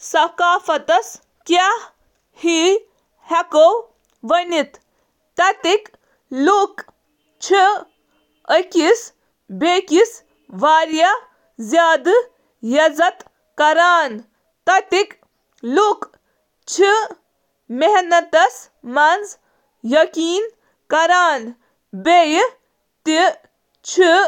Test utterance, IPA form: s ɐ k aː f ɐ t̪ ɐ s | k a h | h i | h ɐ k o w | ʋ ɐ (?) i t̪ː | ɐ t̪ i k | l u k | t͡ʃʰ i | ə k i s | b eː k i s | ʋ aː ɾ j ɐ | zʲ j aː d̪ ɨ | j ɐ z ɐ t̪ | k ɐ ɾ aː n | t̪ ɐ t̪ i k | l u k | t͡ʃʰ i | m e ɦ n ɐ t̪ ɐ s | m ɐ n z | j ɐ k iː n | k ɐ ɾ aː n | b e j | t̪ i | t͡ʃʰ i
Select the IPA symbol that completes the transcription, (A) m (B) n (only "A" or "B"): B